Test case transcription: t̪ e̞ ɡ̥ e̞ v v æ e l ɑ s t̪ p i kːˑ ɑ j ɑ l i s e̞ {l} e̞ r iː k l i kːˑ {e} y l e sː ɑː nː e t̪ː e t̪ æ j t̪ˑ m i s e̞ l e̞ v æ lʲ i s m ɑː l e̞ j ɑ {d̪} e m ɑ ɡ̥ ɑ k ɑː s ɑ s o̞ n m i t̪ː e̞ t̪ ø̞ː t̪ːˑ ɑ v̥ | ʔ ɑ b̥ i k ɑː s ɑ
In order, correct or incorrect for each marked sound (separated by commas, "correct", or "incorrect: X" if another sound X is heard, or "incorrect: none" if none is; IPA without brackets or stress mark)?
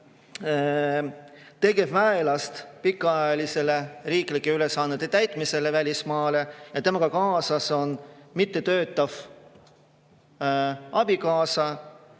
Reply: correct, correct, incorrect: t̪